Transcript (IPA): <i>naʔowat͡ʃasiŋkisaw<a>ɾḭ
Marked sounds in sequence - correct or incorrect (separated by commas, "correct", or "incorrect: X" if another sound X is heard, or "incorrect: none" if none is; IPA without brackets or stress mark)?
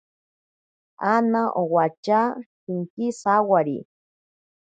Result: incorrect: a, correct